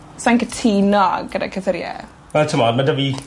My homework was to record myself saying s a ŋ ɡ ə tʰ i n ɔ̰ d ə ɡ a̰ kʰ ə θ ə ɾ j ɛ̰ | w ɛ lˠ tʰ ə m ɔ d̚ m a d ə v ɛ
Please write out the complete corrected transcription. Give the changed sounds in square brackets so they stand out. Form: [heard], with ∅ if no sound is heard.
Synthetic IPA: s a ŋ [k] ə tʰ i n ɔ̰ [ɡ] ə [d] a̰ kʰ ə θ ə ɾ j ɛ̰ | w ɛ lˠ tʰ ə m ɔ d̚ m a d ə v [i]